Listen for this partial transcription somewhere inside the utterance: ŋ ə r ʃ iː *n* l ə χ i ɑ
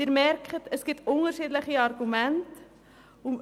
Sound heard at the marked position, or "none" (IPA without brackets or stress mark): d